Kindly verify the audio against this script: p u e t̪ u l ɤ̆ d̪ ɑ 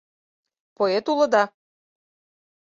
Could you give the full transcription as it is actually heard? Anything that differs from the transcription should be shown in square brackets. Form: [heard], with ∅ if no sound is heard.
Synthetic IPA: p [o] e t̪ u l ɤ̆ d̪ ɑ